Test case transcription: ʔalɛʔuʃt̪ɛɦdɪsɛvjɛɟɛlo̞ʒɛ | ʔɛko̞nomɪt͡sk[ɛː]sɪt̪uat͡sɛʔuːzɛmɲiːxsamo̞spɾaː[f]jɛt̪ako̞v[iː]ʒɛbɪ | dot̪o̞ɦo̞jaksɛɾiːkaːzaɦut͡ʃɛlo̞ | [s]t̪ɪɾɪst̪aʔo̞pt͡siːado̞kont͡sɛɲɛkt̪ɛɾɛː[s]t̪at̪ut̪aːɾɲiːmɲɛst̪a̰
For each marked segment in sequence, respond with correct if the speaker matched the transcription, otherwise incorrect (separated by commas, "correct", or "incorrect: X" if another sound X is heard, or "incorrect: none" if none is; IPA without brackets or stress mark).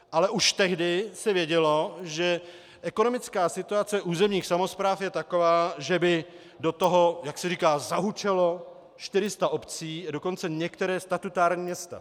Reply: incorrect: aː, correct, incorrect: aː, incorrect: ʃ, correct